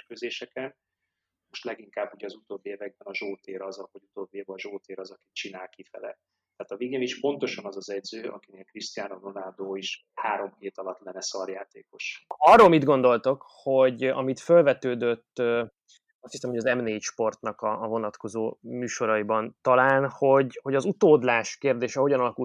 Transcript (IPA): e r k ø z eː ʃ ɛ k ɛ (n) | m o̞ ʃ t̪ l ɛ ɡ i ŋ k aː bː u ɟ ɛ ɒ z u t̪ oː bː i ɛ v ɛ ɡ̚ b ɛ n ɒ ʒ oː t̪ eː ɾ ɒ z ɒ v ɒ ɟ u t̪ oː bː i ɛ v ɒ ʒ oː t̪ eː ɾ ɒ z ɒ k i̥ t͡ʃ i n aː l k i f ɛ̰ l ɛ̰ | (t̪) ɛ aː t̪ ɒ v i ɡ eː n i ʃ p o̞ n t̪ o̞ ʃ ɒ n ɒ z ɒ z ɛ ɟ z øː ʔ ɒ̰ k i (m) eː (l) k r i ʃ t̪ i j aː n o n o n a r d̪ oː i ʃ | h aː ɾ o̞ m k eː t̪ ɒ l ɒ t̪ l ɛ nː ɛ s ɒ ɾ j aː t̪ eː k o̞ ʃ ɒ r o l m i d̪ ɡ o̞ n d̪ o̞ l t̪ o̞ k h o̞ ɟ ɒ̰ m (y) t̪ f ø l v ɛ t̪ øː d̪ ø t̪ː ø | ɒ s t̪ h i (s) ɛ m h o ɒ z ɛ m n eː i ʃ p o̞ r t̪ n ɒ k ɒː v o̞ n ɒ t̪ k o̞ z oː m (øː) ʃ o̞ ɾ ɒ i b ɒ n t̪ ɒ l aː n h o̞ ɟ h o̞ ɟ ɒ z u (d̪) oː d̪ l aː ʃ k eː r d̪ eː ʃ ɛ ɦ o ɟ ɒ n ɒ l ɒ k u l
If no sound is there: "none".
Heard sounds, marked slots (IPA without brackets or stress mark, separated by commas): n, t̪, n, l, i, s, yː, t̪